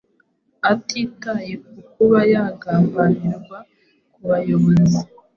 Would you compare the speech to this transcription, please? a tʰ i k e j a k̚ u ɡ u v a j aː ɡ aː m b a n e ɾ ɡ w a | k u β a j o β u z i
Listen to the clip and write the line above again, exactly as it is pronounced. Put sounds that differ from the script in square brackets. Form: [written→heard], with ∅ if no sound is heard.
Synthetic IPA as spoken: a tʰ i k [e→a] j [a→e] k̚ u [ɡ→k] u [v→β] a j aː ɡ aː m b a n [e→i] ɾ ɡ w a | k u β a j o β [u→o] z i